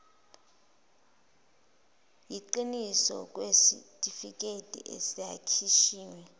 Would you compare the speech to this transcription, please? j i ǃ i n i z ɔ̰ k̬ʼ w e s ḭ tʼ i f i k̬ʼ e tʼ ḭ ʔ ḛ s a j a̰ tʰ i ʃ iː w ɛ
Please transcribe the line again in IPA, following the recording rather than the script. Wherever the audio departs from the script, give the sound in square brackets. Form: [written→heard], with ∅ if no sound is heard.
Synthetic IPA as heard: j i ǃ i n i [z→s] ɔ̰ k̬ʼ w e s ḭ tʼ i f i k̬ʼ e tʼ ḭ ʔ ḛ s [a→i] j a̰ [tʰ→kʰ] i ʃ iː w ɛ

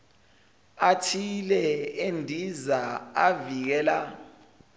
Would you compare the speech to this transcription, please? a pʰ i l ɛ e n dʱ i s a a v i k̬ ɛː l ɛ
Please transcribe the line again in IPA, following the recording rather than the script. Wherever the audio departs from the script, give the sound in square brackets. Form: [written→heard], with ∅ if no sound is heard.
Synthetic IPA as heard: a [pʰ→tʰ] i l ɛ e n dʱ i [s→z] a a v i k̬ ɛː l [ɛ→a]

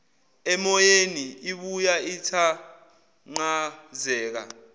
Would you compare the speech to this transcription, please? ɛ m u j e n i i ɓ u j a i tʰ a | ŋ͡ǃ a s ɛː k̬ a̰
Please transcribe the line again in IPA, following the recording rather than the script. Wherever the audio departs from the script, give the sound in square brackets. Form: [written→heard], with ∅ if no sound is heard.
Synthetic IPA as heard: ɛ m [u→ɔ] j e n i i ɓ u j a i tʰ a | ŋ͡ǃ a [s→z] ɛː k̬ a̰

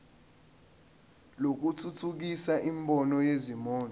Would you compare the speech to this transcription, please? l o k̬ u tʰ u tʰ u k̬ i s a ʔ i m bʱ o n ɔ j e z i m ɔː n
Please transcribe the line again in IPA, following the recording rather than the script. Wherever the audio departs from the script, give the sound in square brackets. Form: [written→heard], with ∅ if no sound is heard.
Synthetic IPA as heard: l o k̬ u tʰ u tʰ u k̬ i s a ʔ i m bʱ [o→ɔ] n ɔ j e z i m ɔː n

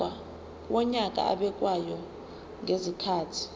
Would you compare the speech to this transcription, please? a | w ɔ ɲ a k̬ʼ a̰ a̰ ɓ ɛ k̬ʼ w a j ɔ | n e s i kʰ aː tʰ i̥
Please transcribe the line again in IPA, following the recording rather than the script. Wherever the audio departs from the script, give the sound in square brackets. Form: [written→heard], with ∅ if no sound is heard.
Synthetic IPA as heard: a | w ɔ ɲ a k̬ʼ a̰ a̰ ɓ ɛ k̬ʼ w a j ɔ | [n→ŋ] e [s→z] i kʰ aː tʰ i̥

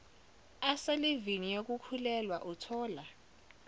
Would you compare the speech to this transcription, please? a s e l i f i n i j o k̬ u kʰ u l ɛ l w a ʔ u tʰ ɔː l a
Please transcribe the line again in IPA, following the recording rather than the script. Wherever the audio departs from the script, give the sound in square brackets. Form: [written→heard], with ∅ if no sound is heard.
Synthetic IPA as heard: a s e l i [f→v] i n i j o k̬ u kʰ u l ɛ l w a ʔ u tʰ ɔː l a

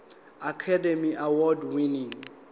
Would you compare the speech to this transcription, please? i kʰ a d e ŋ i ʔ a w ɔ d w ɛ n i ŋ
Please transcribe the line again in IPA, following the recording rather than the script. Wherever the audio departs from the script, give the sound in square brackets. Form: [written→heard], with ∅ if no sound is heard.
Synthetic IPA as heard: [i→a] kʰ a d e [ŋ→m] i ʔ a w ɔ d w [ɛ→i] n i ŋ

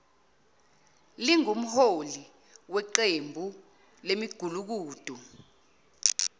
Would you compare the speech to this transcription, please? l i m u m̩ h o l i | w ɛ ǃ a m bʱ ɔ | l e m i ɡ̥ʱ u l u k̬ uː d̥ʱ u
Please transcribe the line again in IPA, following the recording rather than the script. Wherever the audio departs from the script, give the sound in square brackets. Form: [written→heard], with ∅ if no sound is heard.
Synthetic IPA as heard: l i [m→ŋ] u m̩ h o l i | w ɛ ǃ [a→e] m bʱ [ɔ→u] | l e m i ɡ̥ʱ u l u k̬ uː d̥ʱ u

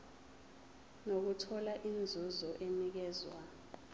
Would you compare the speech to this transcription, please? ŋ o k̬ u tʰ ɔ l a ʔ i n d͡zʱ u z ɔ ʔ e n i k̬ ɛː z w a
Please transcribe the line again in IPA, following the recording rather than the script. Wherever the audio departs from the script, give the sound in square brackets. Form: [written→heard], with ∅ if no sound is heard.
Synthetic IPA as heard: [ŋ→n] o k̬ u tʰ ɔ l a ʔ i n d͡zʱ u z ɔ ʔ e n i k̬ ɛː z w a

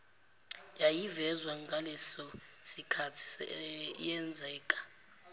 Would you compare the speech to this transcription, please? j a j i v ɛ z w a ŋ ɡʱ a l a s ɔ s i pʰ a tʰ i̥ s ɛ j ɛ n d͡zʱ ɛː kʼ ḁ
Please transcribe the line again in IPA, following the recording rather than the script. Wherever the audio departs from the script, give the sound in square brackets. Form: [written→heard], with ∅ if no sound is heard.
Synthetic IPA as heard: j a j i v ɛ z w a ŋ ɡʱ a l [a→ɛ] s ɔ s i [pʰ→kʰ] a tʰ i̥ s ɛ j ɛ n d͡zʱ ɛː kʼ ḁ

